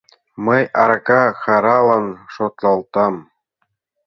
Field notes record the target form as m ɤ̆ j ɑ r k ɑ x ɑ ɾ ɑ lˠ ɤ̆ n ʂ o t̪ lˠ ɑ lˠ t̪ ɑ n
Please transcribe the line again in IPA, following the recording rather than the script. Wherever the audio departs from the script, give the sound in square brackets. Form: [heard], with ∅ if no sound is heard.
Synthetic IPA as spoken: m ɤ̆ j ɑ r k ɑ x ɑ ɾ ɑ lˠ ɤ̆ n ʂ o t̪ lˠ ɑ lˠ t̪ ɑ [m]